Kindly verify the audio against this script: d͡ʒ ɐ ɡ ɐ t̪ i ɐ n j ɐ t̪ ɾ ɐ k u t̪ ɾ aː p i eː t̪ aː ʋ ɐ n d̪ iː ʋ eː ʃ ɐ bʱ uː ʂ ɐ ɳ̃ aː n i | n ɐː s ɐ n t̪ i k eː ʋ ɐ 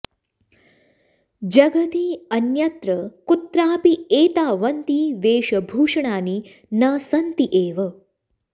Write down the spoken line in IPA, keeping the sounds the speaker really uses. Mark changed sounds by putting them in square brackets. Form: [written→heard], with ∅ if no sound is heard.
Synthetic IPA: d͡ʒ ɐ ɡ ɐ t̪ i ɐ n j ɐ t̪ ɾ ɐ k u t̪ ɾ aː p i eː t̪ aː ʋ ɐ n [d̪→t̪] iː ʋ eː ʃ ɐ bʱ uː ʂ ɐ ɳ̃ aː n i | n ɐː s ɐ n t̪ i [k→ʔ] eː ʋ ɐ